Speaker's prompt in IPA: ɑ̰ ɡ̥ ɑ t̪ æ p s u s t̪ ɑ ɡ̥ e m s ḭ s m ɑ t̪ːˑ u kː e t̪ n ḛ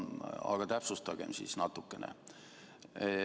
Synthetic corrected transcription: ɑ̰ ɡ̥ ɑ t̪ æ p s u s t̪ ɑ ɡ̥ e m s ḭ s n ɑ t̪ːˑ u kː e n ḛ

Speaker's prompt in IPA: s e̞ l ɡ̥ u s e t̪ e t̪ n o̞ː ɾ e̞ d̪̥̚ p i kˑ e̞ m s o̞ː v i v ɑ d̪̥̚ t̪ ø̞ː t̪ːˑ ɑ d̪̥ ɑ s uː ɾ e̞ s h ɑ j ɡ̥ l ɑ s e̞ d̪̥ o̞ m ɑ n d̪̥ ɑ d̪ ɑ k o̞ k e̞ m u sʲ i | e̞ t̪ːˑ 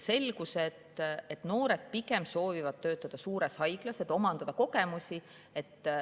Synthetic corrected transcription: s e̞ l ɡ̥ u s e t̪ e t̪ n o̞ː ɾ e̞ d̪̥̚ p i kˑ e̞ m s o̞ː v i v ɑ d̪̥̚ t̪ ø̞ː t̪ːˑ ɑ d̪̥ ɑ s uː ɾ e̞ s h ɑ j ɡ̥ l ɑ s e̞ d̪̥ o̞ m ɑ n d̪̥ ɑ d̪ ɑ k o̞ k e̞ m u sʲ i | e̞ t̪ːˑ

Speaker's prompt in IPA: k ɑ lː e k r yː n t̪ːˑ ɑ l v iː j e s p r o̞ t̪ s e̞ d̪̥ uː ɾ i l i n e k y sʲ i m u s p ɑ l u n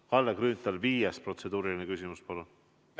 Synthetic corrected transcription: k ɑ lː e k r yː n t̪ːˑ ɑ l v iː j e s p r o̞ t̪ s e̞ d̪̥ uː ɾ i l i n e k y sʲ i m u s p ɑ l u n

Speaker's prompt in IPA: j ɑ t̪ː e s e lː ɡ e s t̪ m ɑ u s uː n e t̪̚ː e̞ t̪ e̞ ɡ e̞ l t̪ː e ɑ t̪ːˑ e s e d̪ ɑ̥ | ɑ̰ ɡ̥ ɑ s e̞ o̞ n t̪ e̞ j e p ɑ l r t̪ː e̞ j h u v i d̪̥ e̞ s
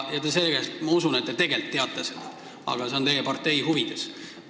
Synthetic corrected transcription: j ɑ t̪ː e s e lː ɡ e s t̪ m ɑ u s u n e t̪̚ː e̞ t̪ e̞ ɡ e̞ l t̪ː e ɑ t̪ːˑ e s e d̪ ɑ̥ | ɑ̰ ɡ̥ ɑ s e̞ o̞ n t̪ e̞ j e p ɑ r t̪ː e̞ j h u v i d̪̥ e̞ s

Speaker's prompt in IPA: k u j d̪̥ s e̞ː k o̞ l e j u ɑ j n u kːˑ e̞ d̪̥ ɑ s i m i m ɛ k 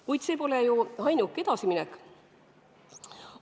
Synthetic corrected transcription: k u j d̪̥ s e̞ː p o̞ l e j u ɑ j n u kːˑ e̞ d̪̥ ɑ s i m i n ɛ k

